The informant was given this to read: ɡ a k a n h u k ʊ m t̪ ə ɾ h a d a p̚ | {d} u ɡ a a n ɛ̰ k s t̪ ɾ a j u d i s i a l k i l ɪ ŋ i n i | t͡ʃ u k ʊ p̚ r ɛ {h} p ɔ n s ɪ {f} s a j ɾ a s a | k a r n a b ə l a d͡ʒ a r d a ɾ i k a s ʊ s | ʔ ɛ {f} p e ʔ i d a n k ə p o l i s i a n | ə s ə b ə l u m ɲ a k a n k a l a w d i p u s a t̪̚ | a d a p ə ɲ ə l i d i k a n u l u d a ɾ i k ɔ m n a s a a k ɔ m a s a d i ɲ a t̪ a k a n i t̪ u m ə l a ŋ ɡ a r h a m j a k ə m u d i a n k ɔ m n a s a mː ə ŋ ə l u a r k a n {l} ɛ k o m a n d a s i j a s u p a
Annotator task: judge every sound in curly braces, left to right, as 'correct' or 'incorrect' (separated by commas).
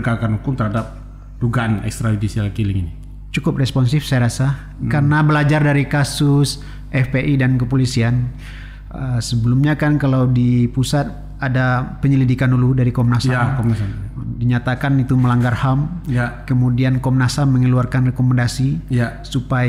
correct, incorrect, correct, correct, incorrect